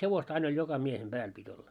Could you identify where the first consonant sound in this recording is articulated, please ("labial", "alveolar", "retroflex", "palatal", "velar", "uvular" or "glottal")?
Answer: glottal